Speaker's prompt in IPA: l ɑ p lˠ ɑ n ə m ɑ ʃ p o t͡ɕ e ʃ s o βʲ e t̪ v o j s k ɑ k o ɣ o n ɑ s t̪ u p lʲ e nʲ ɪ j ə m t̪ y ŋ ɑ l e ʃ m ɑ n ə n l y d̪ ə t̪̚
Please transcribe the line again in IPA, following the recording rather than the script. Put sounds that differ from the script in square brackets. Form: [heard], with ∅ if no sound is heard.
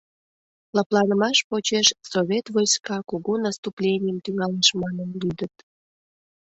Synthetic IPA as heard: l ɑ p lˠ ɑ n ə m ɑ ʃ p o t͡ɕ e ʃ s o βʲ e t̪ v o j s k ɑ k o ɣ o n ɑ s t̪ u p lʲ e nʲ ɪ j ə m t̪ y ŋ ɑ l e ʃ m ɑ n ə n l y d̪ ə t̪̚